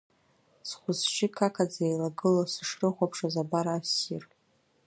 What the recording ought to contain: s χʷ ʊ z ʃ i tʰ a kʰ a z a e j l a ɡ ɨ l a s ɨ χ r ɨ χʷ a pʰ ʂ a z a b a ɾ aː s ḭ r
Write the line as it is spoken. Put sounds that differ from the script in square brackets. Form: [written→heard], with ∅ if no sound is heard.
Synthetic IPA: s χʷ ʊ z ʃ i [tʰ→kʰ] a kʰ a [z→d͡z] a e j l a ɡ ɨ l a s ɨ [χ→ʂ] r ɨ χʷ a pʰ ʂ a z a b a ɾ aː s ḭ r

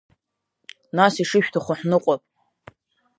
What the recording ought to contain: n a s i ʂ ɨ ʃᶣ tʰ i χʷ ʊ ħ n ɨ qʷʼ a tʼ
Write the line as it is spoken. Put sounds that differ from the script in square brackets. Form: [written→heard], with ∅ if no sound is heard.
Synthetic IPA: n a s i ʂ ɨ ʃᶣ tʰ [i→a] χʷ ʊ ħ n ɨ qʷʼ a [tʼ→pʼ]

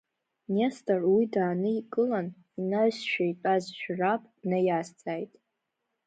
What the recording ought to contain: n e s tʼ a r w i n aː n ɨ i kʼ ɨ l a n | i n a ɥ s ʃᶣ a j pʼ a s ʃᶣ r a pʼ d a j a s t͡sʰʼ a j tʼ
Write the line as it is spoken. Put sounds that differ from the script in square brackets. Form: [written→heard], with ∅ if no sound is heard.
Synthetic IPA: n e s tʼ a r w i [n→d] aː n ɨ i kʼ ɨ l a n | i n a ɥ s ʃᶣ a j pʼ a [s→z] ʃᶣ r a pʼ [d→n] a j a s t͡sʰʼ a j tʼ

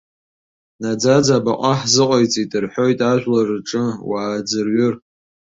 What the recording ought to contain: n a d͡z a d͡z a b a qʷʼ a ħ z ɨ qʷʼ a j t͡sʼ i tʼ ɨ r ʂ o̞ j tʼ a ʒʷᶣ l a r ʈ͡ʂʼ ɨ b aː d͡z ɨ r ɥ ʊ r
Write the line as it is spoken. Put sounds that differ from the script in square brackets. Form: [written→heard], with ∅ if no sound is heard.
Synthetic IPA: n a d͡z a d͡z a b a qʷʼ a ħ z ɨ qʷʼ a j t͡sʼ i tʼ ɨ r [ʂ→ħ] o̞ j tʼ a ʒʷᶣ l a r ʈ͡ʂʼ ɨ [b→w] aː d͡z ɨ r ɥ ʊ r

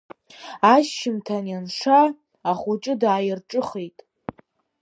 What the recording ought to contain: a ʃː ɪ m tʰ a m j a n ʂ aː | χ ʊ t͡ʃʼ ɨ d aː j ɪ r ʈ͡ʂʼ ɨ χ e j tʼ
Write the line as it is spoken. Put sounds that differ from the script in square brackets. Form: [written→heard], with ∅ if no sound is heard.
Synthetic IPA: a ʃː ɪ m tʰ a [m→n] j a n ʂ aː | χ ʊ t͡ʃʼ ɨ d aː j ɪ r ʈ͡ʂʼ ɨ χ e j tʼ

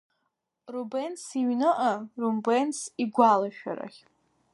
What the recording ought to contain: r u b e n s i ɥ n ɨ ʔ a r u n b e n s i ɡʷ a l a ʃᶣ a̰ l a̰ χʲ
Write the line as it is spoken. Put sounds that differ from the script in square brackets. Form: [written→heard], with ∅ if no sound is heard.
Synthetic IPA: r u b e n s i ɥ n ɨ ʔ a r u [n→m] b e n s i ɡʷ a l a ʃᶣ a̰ [l→ɾ] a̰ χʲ

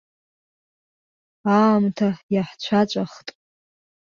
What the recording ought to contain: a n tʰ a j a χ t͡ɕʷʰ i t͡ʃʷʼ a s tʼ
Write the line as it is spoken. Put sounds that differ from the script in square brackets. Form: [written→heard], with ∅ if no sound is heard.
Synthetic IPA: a [n→m] tʰ a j a [χ→ħ] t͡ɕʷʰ [i→a] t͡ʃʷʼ a [s→χ] tʼ

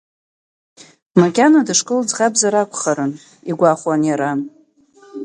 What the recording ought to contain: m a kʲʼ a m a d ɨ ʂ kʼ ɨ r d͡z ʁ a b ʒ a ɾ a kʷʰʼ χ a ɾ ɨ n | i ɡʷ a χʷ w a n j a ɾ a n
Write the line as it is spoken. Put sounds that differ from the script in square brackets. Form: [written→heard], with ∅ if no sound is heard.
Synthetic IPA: m a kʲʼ a [m→n] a d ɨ ʂ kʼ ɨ [r→l] d͡z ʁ a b [ʒ→z] a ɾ a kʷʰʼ χ a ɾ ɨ n | i ɡʷ a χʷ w a n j a ɾ a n

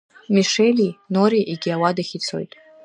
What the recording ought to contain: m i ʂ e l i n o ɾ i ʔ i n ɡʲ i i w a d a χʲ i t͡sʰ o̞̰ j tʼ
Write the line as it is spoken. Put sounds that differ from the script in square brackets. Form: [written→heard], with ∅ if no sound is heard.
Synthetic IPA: m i ʂ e l i n o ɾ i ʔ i [n→∅] ɡʲ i [i→a] w a d a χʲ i t͡sʰ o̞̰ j tʼ

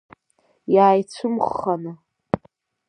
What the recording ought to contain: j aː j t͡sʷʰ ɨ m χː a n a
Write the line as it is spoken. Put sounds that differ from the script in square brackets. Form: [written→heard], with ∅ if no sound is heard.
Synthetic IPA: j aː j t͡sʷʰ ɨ m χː a n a

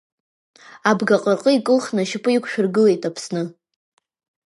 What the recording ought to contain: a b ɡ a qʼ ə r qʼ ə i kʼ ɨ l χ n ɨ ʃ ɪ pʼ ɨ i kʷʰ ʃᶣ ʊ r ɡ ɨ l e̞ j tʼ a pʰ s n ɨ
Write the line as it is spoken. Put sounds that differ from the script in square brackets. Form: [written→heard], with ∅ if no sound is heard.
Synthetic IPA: a b ɡ a qʼ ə r qʼ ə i kʼ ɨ l χ n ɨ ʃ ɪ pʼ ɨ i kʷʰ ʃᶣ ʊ r ɡ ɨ l e̞ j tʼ a pʰ s n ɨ

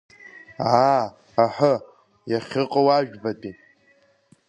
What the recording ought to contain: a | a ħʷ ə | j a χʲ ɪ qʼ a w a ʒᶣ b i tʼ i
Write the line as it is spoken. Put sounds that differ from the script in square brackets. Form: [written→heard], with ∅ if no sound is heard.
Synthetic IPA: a | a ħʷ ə | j a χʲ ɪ qʼ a w a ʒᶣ b [i→a] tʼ i

